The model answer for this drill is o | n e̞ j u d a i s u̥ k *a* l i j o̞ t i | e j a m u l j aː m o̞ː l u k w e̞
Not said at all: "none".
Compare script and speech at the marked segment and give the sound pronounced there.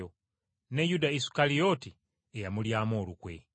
a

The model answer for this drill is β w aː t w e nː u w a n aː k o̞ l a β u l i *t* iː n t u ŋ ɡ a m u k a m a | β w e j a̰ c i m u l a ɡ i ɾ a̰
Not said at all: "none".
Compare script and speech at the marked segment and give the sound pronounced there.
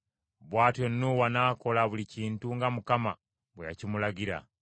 c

